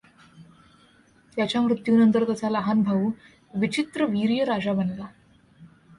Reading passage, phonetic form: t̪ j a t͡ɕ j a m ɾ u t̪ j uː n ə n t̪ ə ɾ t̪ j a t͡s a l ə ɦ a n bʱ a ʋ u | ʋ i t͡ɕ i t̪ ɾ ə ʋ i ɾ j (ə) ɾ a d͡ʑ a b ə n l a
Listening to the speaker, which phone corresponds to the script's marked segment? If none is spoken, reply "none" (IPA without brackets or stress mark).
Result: ə